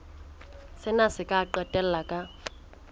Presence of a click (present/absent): present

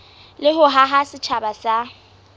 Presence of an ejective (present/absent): absent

